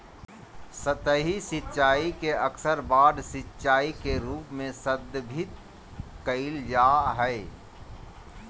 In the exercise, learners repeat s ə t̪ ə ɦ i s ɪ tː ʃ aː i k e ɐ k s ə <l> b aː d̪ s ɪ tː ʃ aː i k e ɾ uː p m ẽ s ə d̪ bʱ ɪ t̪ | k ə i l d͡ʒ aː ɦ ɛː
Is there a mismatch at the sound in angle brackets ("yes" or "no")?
yes